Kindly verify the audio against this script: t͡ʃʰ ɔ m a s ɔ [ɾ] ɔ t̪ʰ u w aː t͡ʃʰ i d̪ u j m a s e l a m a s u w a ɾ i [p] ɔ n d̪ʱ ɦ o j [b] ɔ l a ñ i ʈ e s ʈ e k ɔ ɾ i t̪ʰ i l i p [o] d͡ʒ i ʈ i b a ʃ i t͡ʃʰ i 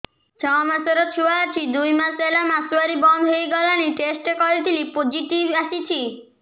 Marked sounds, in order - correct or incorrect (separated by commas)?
correct, incorrect, incorrect, correct